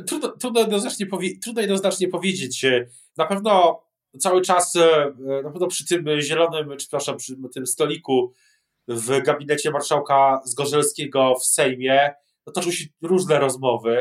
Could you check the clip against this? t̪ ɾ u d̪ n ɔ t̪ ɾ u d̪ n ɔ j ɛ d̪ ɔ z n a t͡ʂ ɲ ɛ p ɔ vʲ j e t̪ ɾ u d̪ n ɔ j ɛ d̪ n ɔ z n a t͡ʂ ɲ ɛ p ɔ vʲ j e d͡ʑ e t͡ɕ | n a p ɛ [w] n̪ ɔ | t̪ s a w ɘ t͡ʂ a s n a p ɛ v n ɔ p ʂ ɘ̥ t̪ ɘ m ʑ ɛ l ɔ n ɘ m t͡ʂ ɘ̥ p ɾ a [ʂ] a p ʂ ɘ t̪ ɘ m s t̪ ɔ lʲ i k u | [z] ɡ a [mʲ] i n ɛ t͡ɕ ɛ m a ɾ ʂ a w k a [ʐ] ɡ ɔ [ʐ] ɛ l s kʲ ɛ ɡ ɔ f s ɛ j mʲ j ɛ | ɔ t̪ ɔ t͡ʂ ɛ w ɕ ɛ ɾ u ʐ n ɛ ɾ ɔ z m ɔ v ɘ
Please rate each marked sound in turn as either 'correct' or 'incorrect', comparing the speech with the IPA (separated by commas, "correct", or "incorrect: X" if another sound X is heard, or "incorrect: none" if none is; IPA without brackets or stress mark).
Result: incorrect: v, correct, incorrect: v, incorrect: bʲ, incorrect: z, correct